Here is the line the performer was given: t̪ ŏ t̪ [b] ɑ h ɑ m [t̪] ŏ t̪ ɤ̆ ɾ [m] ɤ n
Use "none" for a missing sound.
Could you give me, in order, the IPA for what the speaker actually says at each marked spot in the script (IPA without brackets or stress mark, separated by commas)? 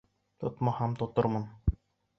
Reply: m, t̪, m